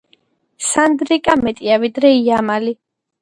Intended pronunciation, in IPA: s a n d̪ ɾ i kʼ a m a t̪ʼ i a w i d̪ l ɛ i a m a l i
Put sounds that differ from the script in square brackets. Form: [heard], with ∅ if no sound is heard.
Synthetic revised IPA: s a n d̪ ɾ i kʼ a m [ɛ] t̪ʼ i a [v] i d̪ [ɾ] ɛ i a m a l i

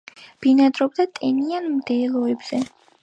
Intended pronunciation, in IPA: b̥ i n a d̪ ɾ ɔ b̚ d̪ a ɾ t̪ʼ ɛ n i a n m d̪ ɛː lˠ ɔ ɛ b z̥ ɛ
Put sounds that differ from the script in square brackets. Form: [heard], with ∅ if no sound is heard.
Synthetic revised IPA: b̥ i n a d̪ ɾ ɔ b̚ d̪ a [∅] t̪ʼ ɛ n i a n m d̪ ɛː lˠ ɔ ɛ b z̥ ɛ

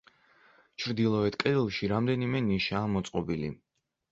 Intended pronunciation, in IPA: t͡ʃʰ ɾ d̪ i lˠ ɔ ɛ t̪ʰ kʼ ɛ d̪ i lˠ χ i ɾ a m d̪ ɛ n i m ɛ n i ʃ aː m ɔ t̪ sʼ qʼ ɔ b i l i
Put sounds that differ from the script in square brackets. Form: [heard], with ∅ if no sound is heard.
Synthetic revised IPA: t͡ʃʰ ɾ d̪ i lˠ ɔ ɛ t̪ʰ kʼ ɛ d̪ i lˠ [ʃ] i ɾ a m d̪ ɛ n i m ɛ n i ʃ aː m ɔ t̪ sʼ qʼ ɔ b i l i

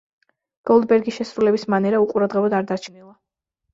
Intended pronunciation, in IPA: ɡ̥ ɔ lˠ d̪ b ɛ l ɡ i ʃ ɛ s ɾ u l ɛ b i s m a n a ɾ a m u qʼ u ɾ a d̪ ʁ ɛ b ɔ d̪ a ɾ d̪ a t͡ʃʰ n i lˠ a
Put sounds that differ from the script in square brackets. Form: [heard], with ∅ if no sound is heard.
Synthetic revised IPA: ɡ̥ ɔ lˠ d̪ b ɛ [ɾ] ɡ i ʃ ɛ s ɾ u l ɛ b i s m a n [ɛ] ɾ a [∅] u qʼ u ɾ a d̪ ʁ ɛ b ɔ d̪ a ɾ d̪ a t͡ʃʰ n i lˠ a

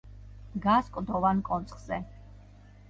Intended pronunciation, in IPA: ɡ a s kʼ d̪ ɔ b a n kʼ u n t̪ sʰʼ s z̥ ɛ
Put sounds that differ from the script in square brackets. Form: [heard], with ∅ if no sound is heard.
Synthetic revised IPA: ɡ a s kʼ d̪ ɔ [v] a n kʼ [ɔ] n t̪ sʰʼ [χ] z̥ ɛ

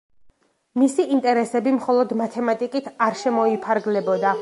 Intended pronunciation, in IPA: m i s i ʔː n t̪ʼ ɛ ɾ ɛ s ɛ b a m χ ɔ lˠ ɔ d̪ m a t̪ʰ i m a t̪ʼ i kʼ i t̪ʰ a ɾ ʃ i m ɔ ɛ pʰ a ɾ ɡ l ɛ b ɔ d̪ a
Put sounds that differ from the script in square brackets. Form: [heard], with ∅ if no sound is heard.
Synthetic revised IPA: m i s i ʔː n t̪ʼ ɛ ɾ ɛ s ɛ b [i] m χ ɔ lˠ ɔ d̪ m a t̪ʰ [ɛ] m a t̪ʼ i kʼ i t̪ʰ a ɾ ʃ [ɛ] m ɔ [i] pʰ a ɾ ɡ l ɛ b ɔ d̪ a

